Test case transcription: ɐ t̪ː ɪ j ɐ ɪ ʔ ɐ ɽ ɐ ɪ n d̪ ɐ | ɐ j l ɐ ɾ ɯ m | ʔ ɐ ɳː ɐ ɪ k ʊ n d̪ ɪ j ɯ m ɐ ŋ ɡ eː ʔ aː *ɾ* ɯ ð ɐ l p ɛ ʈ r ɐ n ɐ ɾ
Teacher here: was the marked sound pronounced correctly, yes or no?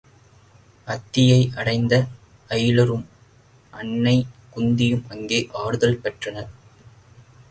no